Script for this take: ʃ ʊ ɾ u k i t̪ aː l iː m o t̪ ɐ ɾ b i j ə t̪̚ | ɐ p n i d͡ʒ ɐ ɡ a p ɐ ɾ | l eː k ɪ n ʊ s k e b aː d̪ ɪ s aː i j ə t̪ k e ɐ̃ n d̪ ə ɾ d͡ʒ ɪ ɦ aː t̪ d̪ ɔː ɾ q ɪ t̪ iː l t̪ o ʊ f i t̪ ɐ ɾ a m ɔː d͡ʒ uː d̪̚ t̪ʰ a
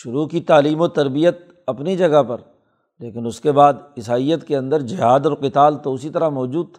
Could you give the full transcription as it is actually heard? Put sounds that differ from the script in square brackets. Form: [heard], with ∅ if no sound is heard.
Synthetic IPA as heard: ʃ ʊ ɾ u k i t̪ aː l iː m o t̪ ɐ ɾ b i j ə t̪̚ | ɐ p n i d͡ʒ ɐ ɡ a p ɐ ɾ | l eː k ɪ n ʊ s k e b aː d̪ ɪ s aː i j ə t̪ k e ɐ̃ n d̪ ə ɾ d͡ʒ ɪ ɦ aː [∅] d̪ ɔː ɾ q ɪ t̪ [aː] l t̪ o ʊ [s] i t̪ ɐ ɾ a m ɔː d͡ʒ uː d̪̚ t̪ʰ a